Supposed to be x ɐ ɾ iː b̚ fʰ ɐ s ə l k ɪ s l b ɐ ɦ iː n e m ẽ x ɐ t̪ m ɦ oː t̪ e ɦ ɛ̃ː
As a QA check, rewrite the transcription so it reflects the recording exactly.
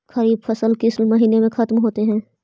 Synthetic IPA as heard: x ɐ ɾ iː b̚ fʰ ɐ s ə l k ɪ s l m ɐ ɦ iː n e m ẽ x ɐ t̪ m ɦ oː t̪ e ɦ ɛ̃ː